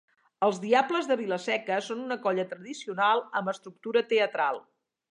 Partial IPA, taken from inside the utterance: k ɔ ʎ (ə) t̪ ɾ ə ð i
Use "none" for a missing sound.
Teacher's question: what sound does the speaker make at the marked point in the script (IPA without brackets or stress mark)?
ə